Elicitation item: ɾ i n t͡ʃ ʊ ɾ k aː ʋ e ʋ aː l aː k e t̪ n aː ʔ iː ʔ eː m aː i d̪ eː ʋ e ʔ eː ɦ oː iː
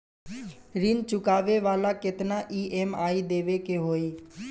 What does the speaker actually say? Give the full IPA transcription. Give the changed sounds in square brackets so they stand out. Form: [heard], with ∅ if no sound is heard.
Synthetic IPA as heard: ɾ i n t͡ʃ ʊ [∅] k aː ʋ e ʋ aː l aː k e t̪ n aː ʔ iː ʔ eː m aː i d̪ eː ʋ e [k] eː ɦ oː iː